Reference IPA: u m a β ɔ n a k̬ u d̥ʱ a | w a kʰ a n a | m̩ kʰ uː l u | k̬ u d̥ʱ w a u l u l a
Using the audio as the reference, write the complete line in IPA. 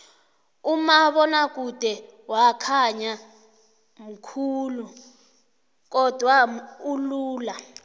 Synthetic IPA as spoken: u m a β ɔ n a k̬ u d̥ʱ ɛ | w a kʰ a ɲ a | m̩ kʰ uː l u | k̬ ɔ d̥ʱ w a u l uː l a